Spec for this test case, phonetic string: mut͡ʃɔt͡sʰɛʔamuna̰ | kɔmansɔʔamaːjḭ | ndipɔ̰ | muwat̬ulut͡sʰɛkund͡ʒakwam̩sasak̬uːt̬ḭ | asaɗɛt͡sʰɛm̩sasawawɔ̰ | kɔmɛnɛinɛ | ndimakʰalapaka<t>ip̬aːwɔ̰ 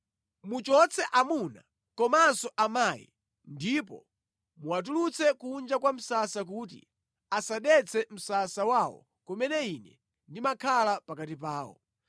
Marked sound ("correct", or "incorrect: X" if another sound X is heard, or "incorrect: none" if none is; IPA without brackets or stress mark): correct